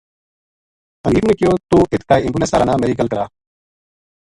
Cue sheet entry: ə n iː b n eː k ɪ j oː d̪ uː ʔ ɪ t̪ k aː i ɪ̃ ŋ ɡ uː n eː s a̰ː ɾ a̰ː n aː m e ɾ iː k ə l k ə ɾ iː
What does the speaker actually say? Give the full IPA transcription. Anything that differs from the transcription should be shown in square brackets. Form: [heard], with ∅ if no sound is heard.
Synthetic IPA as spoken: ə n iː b n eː k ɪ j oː [t̪] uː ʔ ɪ t̪ k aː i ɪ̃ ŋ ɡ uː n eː s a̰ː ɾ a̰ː n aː m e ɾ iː k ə l k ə ɾ [aː]